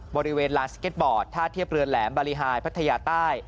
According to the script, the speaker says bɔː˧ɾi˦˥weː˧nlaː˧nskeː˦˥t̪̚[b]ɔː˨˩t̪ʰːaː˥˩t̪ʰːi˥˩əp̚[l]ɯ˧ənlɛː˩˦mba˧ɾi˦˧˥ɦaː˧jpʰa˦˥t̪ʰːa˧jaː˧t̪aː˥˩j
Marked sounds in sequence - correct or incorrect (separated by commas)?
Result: correct, incorrect